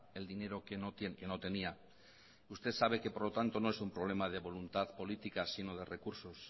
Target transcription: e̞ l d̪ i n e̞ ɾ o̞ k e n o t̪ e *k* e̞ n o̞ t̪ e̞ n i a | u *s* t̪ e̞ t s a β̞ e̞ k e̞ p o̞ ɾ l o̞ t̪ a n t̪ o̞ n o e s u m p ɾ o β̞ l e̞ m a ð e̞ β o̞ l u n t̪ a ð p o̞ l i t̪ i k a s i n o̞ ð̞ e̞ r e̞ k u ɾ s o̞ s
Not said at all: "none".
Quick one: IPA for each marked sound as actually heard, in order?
k, s

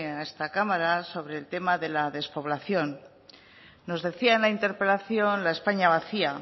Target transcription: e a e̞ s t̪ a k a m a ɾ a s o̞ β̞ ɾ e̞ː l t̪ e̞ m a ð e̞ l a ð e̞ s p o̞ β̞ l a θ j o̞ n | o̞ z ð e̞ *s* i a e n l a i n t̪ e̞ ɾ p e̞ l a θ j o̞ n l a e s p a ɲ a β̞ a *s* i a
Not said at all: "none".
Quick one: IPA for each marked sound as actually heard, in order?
θ, θ

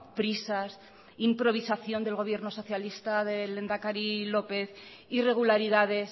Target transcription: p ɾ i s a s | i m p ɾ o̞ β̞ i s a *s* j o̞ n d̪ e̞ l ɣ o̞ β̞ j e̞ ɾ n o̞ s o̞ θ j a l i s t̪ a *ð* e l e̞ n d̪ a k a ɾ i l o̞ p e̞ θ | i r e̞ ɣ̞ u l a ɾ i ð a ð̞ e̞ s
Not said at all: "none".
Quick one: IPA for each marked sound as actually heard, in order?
θ, ð

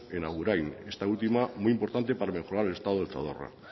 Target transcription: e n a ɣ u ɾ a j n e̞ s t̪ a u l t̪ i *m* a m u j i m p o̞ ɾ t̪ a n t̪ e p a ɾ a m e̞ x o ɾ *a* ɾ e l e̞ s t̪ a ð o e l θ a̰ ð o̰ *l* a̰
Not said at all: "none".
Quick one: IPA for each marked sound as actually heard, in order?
m, a, r

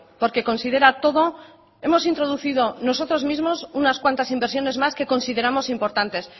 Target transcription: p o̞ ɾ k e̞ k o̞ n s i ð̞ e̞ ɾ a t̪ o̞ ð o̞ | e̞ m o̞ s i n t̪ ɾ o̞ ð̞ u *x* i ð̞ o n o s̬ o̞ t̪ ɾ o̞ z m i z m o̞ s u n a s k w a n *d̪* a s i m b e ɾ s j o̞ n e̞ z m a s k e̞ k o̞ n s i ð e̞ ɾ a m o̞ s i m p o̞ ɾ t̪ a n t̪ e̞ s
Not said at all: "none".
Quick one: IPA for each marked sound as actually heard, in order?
θ, t̪

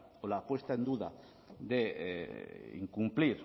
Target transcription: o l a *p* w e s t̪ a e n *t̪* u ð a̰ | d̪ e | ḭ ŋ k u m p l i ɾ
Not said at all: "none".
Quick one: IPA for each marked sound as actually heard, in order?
p, d̪

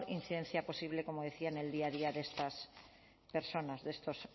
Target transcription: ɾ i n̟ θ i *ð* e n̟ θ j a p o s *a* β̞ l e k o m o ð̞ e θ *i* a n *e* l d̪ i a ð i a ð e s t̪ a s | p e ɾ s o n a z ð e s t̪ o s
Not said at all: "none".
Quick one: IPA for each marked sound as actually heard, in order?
ð, i, i, e

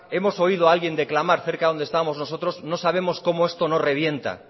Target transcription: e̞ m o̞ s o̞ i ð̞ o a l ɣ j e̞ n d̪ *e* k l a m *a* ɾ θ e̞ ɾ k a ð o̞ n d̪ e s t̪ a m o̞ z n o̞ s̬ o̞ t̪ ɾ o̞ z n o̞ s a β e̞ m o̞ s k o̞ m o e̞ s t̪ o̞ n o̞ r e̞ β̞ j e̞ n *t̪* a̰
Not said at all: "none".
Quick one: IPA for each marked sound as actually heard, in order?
e, a, t̪

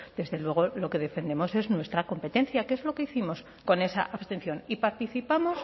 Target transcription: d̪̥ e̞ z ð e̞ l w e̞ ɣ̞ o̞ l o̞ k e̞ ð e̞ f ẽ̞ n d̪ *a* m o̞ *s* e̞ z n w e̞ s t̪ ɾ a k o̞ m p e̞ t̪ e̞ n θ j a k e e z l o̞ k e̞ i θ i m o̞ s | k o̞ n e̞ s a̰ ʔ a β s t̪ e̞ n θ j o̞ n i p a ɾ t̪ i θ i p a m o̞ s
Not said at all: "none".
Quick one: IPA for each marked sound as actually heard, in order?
e, s

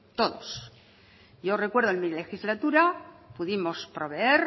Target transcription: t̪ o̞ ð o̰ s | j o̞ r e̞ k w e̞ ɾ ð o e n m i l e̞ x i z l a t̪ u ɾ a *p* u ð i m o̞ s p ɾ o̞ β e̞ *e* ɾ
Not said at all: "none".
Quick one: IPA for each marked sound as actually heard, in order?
p, e

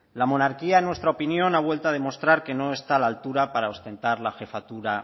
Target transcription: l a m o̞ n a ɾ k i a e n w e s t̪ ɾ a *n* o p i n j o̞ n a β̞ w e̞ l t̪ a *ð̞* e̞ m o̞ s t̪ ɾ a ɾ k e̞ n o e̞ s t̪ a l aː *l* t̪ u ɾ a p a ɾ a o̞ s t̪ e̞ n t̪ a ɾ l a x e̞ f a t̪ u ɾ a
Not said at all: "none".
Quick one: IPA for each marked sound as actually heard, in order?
none, ð̞, l

